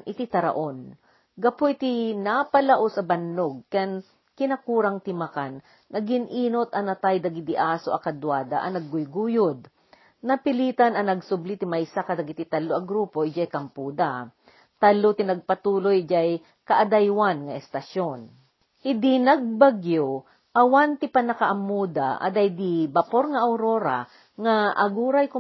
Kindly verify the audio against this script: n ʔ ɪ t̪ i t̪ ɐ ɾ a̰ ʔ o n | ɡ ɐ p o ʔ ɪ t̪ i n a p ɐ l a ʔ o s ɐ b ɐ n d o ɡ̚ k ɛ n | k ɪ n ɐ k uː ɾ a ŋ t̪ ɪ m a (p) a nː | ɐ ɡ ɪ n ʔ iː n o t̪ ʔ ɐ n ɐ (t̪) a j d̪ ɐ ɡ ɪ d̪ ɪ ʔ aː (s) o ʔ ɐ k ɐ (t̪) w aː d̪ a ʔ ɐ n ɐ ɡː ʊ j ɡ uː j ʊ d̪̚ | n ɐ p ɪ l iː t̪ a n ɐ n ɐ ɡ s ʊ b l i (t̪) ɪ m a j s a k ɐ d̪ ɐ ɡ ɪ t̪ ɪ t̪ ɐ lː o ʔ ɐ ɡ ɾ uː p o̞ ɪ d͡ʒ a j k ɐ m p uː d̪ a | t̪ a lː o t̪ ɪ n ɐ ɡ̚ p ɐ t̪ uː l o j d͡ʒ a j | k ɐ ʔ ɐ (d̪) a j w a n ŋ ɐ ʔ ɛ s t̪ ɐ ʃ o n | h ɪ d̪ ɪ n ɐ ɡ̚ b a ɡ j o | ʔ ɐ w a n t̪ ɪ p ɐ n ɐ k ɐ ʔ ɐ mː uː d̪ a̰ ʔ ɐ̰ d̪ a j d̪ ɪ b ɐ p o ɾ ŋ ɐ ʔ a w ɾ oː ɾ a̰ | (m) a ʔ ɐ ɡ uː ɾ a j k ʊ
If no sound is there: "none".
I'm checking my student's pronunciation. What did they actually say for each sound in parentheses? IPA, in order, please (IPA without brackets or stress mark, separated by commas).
k, t̪, s, d̪, t̪, d̪, ŋ